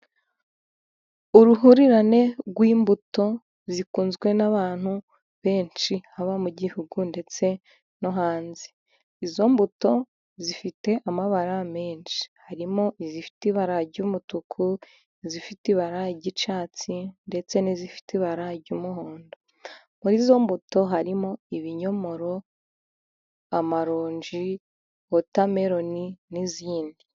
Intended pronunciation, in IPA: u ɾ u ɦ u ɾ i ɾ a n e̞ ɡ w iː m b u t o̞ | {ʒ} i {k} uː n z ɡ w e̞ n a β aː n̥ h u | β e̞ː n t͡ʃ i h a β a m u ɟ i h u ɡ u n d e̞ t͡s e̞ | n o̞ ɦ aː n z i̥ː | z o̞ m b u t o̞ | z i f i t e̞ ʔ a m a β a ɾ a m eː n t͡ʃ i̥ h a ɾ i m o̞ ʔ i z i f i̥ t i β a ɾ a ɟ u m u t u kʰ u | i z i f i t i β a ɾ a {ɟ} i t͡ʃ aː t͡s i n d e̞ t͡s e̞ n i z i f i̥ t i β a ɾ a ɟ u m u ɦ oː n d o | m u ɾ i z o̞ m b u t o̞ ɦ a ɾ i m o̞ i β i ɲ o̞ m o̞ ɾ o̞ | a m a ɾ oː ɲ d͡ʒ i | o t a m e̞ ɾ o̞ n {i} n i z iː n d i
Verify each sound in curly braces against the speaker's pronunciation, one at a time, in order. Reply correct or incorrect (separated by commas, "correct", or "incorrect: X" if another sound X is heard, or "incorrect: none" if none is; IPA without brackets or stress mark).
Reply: incorrect: z, correct, correct, correct